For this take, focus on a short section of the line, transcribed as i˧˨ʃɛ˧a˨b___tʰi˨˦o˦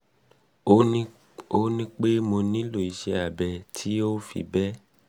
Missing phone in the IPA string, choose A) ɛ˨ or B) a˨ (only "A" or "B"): A